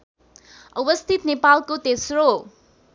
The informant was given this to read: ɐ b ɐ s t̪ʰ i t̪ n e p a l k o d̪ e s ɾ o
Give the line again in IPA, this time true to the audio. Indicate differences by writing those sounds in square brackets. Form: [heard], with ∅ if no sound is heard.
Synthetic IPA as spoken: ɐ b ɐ s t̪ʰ i t̪ n e p a l k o [t̪] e s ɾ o